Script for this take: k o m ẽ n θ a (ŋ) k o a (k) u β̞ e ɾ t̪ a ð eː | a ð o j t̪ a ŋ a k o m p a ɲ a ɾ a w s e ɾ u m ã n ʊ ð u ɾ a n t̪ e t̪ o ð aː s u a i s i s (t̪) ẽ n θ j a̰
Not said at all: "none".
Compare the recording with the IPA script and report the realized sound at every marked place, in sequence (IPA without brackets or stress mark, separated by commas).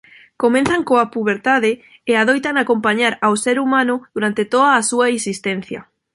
ŋ, p, t̪